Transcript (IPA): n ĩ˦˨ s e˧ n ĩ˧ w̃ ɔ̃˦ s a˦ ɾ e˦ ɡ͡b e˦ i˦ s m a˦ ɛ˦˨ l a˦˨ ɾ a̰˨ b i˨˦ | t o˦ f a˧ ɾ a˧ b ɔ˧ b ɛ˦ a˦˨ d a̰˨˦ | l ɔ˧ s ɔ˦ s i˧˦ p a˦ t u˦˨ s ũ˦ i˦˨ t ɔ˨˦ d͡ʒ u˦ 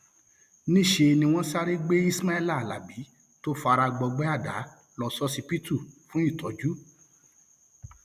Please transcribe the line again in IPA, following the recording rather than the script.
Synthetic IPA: n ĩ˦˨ ʃ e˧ n ĩ˧ w̃ ɔ̃˦ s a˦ ɾ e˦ ɡ͡b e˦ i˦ s m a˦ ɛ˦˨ l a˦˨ l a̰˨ b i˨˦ | t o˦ f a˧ ɾ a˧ ɡ͡b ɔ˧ ɡ͡b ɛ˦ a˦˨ d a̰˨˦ | l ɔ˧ s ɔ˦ s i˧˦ p i˦ t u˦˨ f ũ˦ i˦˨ t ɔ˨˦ d͡ʒ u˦